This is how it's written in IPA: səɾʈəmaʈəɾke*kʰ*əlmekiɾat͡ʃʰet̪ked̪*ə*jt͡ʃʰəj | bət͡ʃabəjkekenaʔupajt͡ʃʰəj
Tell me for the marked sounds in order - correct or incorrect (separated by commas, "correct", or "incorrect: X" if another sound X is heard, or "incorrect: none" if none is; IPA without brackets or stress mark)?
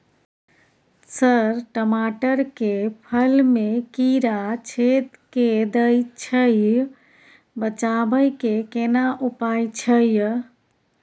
incorrect: pʰ, correct